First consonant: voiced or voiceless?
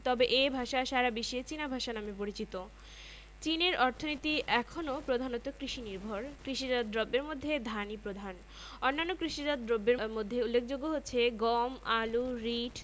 voiceless